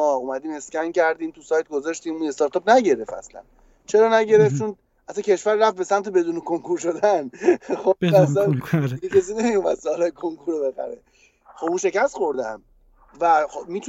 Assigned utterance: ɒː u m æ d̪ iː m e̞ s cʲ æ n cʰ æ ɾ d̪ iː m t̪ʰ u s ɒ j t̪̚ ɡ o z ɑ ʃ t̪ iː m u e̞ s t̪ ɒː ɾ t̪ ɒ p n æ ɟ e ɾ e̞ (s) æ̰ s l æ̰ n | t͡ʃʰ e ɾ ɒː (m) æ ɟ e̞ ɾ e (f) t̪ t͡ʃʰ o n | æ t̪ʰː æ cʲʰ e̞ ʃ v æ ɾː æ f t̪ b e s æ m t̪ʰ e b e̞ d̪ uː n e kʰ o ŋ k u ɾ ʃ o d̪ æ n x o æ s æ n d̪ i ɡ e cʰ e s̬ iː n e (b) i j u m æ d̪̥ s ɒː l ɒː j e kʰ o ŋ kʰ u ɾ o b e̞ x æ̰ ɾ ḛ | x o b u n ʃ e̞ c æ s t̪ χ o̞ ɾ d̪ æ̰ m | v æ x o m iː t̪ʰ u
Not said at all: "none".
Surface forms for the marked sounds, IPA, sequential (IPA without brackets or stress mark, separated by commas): f, n, f, m